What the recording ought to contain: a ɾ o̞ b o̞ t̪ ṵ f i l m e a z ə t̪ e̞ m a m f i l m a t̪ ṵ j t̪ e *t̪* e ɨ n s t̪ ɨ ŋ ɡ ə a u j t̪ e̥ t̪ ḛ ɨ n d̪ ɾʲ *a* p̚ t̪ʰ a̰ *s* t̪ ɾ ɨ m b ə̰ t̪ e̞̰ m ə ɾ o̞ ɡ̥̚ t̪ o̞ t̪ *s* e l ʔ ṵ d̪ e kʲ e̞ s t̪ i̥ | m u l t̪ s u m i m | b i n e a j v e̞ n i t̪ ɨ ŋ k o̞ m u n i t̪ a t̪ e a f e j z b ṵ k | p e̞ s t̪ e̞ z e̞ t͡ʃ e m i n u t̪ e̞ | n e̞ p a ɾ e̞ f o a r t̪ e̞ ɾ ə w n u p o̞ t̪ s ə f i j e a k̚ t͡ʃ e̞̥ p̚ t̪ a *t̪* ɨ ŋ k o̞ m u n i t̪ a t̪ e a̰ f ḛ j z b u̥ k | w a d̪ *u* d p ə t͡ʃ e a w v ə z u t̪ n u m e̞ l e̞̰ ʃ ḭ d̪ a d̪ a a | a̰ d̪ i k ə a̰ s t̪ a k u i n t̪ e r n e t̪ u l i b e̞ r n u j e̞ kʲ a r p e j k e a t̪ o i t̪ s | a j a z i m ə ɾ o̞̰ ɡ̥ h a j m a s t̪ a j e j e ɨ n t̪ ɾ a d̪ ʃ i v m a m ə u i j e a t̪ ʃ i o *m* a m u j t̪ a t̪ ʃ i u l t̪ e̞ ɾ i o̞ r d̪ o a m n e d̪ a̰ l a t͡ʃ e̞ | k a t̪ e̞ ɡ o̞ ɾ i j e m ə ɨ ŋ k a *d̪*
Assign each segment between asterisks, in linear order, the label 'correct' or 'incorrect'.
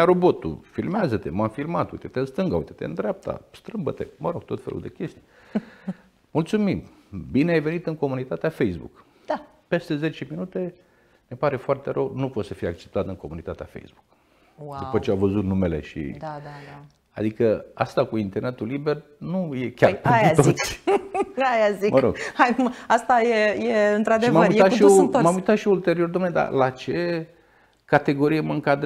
correct, correct, correct, incorrect, correct, correct, correct, correct

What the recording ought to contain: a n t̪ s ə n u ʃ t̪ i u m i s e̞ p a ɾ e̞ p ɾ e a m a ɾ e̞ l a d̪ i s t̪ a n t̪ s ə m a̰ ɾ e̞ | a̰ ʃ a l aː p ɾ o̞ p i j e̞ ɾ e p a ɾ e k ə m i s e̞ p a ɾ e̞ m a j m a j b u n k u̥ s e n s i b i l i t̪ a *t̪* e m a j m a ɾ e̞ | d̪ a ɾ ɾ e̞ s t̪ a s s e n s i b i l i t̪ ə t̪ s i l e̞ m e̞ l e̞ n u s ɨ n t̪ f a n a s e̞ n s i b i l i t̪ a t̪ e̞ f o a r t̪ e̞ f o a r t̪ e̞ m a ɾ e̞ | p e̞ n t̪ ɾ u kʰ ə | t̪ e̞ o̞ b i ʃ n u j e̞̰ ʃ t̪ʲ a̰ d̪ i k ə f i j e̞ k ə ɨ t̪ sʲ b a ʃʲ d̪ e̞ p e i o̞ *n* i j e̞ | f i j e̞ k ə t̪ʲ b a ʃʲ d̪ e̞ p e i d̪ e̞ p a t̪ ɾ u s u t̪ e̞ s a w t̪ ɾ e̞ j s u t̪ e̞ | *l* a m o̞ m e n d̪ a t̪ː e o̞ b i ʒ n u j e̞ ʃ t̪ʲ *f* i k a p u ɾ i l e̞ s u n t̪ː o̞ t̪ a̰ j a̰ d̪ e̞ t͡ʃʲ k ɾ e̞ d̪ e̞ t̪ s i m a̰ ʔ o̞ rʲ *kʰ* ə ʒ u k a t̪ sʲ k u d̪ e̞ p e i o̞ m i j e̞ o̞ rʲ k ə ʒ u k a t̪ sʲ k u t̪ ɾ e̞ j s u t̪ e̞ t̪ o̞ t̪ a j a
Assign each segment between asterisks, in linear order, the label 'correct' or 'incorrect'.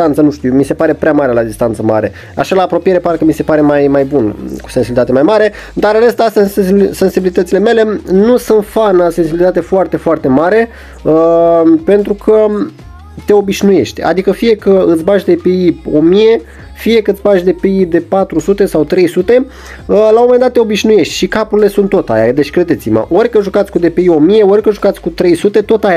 correct, incorrect, correct, incorrect, incorrect

